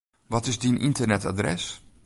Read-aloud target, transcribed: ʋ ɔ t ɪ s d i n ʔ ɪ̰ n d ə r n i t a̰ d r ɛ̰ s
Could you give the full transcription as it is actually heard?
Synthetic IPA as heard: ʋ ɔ t ɪ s d i n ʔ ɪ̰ n t ə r n ɛ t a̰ d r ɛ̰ s